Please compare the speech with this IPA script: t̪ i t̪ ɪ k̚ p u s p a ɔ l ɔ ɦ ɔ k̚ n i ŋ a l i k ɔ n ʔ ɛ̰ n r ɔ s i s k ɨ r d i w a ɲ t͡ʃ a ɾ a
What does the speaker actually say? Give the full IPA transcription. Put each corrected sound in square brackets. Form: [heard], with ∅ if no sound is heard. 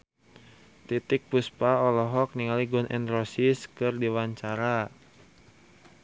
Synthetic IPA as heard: t̪ i t̪ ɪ k̚ p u s p a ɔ l ɔ ɦ ɔ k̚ n i ŋ a l i [ɡ] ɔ n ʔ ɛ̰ n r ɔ s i s k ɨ r d i w a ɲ t͡ʃ a ɾ a